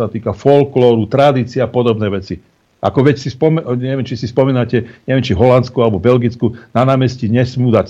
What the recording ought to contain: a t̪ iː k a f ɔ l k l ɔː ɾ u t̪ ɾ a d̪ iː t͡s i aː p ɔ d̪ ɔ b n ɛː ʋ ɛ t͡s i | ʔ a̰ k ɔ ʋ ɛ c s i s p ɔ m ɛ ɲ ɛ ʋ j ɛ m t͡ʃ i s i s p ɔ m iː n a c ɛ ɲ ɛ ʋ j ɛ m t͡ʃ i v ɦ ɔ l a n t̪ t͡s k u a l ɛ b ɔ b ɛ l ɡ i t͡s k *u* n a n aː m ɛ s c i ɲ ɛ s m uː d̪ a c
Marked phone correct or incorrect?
correct